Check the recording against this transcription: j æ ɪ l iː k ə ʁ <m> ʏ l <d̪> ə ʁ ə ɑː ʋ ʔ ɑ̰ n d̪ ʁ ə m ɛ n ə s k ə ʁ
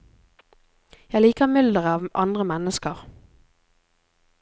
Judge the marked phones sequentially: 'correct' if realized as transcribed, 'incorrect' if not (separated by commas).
correct, correct